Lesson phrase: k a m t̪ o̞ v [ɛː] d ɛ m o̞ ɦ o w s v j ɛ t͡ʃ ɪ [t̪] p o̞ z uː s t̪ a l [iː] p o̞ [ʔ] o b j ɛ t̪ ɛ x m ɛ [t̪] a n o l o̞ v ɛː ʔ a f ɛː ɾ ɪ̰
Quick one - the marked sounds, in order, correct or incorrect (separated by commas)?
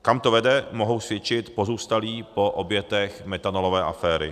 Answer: incorrect, correct, correct, correct, correct